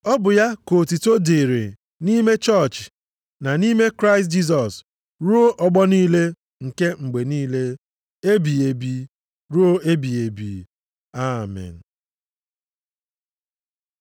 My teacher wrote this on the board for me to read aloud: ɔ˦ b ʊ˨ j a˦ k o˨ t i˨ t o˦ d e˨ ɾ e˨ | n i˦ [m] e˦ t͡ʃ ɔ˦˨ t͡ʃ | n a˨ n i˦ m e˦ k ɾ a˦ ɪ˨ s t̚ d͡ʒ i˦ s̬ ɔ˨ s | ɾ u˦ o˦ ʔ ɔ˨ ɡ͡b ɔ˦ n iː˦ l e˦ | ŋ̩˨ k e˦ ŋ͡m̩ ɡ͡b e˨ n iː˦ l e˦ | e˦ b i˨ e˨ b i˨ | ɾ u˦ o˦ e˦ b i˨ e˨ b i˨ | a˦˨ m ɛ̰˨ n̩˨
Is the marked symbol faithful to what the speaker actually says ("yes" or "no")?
yes